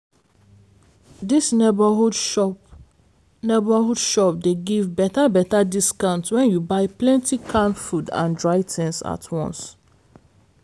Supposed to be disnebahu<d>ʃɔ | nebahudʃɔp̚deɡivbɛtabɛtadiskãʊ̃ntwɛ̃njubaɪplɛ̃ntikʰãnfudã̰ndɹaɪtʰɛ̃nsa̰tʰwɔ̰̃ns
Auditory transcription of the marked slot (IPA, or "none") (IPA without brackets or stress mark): d